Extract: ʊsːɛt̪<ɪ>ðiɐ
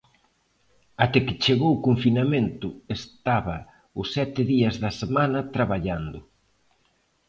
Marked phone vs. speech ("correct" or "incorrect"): correct